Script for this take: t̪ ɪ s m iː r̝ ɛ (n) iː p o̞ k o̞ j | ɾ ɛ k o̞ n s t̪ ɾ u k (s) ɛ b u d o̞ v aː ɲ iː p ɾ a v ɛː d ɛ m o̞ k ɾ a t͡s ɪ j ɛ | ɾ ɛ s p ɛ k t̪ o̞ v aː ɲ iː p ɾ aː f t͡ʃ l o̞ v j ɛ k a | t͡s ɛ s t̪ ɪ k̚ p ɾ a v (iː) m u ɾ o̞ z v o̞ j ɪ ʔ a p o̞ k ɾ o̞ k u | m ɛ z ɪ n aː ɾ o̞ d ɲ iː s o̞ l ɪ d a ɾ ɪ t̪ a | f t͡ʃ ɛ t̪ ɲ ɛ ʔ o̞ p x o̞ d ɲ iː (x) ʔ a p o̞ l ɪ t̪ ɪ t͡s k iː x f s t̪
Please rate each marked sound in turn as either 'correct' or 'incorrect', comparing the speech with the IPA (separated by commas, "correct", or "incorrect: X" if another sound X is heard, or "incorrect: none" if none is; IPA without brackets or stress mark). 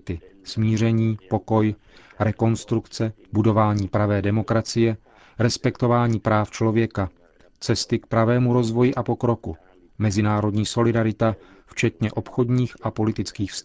incorrect: ɲ, incorrect: t͡s, incorrect: ɛː, correct